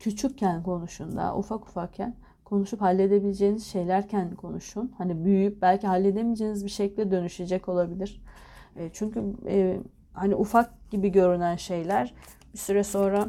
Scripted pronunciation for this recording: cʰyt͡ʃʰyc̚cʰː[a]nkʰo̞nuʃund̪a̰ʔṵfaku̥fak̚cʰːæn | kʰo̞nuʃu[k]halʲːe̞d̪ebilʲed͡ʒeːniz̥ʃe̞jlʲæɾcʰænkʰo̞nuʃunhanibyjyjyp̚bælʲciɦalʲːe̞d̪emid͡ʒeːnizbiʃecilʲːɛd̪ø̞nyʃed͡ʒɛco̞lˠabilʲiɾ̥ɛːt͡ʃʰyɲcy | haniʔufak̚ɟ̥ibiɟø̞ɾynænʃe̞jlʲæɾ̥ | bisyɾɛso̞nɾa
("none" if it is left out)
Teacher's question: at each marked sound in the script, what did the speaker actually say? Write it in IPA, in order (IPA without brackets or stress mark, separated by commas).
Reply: æ, p